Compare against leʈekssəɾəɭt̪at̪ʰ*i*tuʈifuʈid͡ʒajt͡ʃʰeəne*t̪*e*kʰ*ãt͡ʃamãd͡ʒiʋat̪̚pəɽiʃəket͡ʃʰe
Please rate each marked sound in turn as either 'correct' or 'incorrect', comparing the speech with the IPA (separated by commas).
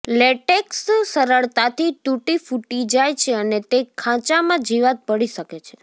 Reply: correct, correct, correct